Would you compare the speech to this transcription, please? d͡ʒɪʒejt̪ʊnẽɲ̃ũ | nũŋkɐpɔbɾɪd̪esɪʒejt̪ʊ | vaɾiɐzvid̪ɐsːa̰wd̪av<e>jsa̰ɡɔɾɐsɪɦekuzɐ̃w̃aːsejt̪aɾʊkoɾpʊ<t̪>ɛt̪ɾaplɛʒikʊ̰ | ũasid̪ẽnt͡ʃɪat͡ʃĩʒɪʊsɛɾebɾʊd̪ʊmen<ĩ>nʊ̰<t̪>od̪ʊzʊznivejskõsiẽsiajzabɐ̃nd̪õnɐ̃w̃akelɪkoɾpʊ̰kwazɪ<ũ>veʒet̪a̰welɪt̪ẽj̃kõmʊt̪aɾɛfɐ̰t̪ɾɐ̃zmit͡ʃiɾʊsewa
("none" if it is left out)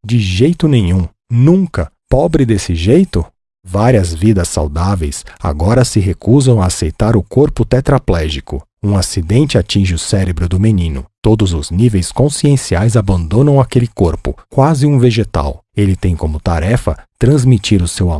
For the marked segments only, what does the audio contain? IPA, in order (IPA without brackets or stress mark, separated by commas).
e, t̪, ĩ, t̪, ũ